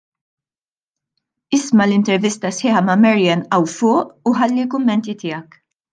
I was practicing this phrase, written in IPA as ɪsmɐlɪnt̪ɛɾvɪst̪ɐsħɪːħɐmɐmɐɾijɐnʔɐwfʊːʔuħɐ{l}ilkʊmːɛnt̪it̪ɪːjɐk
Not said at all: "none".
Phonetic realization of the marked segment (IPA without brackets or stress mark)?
lː